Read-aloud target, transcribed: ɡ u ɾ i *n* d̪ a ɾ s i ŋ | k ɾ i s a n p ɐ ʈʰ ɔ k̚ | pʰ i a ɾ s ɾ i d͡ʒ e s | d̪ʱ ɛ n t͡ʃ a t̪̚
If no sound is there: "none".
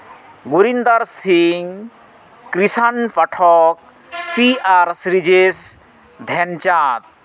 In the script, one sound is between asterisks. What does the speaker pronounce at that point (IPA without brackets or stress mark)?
n